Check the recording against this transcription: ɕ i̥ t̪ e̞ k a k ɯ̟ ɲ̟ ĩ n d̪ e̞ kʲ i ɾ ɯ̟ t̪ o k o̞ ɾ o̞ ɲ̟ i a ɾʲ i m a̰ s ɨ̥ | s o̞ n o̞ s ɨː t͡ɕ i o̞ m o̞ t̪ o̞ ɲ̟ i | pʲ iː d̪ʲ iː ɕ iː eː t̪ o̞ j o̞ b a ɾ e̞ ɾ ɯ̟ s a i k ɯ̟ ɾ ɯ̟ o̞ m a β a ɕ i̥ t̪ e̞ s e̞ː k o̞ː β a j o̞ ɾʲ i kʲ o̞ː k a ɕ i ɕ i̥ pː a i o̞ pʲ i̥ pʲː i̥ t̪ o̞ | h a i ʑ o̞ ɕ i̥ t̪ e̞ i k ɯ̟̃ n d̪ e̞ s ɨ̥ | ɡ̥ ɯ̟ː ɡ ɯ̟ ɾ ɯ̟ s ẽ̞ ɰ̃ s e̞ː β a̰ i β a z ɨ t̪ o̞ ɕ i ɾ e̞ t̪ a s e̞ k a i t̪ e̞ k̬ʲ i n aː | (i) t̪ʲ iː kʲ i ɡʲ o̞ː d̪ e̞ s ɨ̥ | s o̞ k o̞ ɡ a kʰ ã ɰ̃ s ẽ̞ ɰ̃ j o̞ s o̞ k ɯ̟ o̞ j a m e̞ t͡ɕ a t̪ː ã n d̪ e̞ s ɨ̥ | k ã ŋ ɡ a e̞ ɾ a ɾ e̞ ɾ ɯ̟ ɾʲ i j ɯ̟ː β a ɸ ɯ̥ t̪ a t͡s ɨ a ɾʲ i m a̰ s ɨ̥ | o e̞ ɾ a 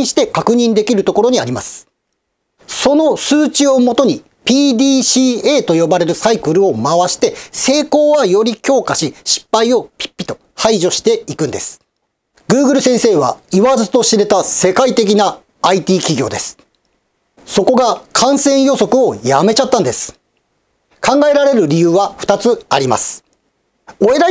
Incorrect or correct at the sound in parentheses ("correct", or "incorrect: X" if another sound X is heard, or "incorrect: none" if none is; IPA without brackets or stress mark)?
correct